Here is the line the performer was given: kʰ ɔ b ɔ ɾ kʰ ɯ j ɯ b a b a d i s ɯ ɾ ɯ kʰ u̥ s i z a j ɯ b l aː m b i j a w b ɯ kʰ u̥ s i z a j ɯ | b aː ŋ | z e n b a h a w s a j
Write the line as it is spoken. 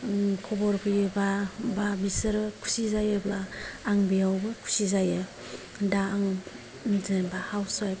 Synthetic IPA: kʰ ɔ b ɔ ɾ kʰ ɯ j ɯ b a b a b i s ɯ ɾ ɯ kʰ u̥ s i z a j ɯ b l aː ŋ b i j a w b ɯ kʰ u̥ s i z a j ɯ | d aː ŋ | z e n b a h a w s a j